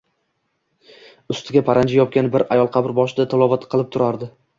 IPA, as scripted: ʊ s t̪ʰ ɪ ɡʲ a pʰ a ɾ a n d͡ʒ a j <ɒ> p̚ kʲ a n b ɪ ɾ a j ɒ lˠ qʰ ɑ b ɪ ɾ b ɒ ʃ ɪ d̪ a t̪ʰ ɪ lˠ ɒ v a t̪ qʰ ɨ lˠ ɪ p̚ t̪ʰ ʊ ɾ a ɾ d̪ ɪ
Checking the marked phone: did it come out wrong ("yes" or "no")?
no